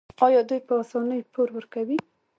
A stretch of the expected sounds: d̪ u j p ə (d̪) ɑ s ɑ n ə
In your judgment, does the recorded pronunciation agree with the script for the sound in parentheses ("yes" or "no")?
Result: no